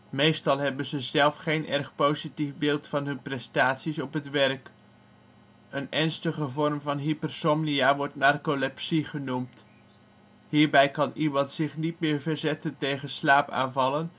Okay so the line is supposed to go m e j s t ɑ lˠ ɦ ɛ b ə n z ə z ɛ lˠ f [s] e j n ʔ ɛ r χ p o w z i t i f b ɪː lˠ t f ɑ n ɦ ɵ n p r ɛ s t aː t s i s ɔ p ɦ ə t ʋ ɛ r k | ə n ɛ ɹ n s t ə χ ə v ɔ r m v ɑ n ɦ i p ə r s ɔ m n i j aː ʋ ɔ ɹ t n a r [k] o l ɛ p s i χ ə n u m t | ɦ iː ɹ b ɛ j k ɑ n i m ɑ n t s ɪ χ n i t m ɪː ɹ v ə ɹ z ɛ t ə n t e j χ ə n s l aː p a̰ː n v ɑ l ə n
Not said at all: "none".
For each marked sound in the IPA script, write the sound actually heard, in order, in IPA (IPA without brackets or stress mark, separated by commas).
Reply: χ, k